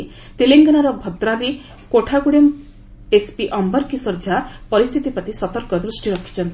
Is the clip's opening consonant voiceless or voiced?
voiceless